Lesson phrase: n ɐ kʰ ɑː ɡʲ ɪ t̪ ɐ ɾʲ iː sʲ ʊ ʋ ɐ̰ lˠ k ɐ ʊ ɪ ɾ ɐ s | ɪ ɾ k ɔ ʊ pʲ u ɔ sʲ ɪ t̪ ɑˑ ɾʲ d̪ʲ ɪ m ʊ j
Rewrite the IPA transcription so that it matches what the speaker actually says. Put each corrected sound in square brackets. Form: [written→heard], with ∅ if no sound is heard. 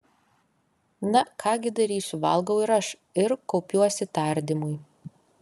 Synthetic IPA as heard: n ɐ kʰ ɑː ɡʲ ɪ [t̪→d̪] ɐ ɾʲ iː sʲ ʊ ʋ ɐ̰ lˠ [k→ɡ] ɐ ʊ ɪ ɾ ɐ [s→ʃ] | ɪ ɾ k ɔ ʊ pʲ u ɔ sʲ ɪ t̪ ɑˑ ɾʲ d̪ʲ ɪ m ʊ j

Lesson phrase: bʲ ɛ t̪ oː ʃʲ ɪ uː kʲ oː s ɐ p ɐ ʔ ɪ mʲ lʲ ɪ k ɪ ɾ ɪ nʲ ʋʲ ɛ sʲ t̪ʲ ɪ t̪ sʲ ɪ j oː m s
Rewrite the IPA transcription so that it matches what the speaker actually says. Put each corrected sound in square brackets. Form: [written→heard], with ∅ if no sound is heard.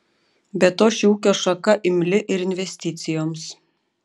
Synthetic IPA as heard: bʲ ɛ t̪ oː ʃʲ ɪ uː kʲ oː [s→ʃ] ɐ [p→k] ɐ ʔ ɪ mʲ lʲ ɪ [k→ʔ] ɪ ɾ ɪ nʲ ʋʲ ɛ sʲ t̪ʲ ɪ t̪ sʲ ɪ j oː m s

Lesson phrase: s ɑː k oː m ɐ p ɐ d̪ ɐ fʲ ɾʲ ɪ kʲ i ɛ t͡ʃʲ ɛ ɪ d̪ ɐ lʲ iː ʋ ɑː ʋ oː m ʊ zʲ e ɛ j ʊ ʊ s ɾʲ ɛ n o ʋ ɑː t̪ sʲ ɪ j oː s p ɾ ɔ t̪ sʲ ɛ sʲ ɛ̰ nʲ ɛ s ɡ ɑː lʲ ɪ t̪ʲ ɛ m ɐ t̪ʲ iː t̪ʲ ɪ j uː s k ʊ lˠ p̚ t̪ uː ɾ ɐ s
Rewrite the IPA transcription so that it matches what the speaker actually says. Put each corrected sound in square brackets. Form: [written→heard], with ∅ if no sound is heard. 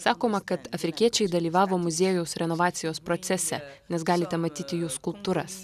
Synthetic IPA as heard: s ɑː k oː m ɐ [p→k] ɐ [d̪→t̪] ɐ fʲ ɾʲ ɪ kʲ i ɛ t͡ʃʲ ɛ ɪ d̪ ɐ lʲ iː ʋ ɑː ʋ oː m ʊ zʲ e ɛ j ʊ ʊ s ɾʲ ɛ n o ʋ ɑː t̪ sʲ ɪ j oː s p ɾ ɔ t̪ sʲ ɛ sʲ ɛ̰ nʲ ɛ s ɡ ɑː lʲ ɪ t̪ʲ ɛ m ɐ t̪ʲ iː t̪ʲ ɪ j uː s k ʊ lˠ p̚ t̪ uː ɾ ɐ s

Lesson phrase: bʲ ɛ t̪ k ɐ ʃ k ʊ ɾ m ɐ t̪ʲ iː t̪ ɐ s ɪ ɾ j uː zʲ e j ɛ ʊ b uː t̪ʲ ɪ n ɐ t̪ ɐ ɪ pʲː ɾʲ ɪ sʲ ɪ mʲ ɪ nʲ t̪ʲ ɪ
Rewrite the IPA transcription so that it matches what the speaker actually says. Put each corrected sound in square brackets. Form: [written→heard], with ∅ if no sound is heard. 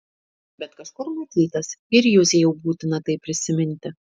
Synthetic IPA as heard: bʲ ɛ t̪ k ɐ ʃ k ʊ ɾ m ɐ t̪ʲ iː t̪ ɐ s ɪ ɾ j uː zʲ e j ɛ ʊ b uː t̪ʲ ɪ n ɐ t̪ ɐ ɪ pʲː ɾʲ ɪ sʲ ɪ mʲ ɪ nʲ t̪ʲ ɪ

